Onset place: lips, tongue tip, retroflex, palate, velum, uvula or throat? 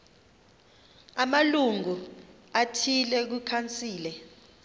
lips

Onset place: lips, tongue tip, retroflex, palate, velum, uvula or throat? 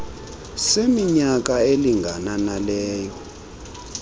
tongue tip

